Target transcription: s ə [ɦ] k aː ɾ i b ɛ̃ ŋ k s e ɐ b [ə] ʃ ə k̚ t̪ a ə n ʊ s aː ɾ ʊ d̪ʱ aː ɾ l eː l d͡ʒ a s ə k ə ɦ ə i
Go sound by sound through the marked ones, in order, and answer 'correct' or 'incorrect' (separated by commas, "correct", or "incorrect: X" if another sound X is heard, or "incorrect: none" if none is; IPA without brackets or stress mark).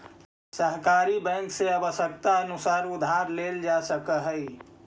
correct, correct